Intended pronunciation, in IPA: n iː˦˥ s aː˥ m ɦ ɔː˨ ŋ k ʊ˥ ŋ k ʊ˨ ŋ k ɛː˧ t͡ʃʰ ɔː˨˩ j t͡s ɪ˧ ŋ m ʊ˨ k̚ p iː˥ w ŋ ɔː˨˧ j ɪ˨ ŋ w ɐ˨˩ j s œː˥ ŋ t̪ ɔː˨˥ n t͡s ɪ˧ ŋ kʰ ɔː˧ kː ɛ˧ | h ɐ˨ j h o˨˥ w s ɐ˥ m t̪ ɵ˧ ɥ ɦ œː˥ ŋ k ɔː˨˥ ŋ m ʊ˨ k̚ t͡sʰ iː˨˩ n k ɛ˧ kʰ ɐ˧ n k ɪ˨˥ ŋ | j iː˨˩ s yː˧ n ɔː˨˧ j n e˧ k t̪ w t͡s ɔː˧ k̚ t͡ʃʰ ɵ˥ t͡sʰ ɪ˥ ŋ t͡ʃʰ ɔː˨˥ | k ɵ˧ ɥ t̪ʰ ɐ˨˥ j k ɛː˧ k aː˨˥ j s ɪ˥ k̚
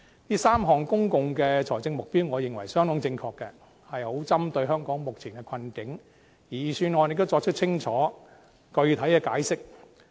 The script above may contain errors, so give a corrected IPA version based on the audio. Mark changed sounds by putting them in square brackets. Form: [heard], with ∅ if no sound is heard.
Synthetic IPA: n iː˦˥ s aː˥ m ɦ ɔː˨ ŋ k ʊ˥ ŋ k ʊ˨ ŋ k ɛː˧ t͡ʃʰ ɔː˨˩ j t͡s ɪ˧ ŋ m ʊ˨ k̚ p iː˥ w ŋ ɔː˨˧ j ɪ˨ ŋ w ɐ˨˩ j s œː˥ ŋ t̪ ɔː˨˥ [ŋ] t͡s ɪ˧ ŋ kʰ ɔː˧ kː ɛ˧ | h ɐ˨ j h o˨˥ w [t͡s] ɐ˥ m t̪ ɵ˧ ɥ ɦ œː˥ ŋ k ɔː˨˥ ŋ m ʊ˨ k̚ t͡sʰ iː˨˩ n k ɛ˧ kʰ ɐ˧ n k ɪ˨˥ ŋ | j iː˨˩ s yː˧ n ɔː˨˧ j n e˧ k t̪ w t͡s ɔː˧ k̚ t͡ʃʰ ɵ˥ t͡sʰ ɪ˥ ŋ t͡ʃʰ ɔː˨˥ | k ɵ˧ ɥ t̪ʰ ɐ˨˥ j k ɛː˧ k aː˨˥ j s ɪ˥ k̚